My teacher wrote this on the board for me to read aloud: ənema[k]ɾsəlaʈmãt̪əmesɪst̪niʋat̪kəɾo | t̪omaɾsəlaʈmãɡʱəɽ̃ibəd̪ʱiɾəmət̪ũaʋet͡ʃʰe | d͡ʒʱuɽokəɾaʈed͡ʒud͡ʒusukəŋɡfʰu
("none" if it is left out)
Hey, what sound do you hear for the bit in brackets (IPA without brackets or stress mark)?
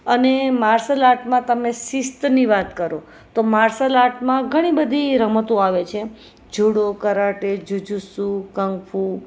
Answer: none